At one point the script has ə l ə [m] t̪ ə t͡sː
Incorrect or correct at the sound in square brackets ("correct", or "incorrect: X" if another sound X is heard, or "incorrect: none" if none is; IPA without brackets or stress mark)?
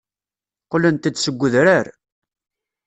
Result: incorrect: n